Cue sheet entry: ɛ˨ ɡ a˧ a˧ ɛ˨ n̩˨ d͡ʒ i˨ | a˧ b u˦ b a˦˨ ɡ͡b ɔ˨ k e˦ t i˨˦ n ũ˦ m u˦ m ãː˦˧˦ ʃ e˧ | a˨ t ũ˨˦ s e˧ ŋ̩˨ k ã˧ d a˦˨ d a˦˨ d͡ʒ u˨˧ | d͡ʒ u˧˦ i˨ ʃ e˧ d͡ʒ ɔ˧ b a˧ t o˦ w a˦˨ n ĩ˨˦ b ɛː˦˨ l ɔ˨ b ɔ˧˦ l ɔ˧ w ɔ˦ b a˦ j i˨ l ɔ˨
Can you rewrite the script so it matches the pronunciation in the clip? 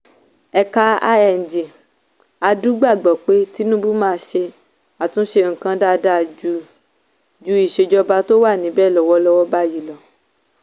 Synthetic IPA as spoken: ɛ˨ k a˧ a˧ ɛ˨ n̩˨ d͡ʒ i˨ | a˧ d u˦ ɡ͡b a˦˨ ɡ͡b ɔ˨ k͡p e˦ t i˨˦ n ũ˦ b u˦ m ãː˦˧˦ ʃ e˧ | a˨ t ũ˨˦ ʃ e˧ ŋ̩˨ k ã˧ d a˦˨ d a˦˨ d͡ʒ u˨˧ | d͡ʒ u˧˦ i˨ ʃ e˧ d͡ʒ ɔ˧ b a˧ t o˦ w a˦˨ n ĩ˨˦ b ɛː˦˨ l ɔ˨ w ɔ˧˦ l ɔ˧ w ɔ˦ b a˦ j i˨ l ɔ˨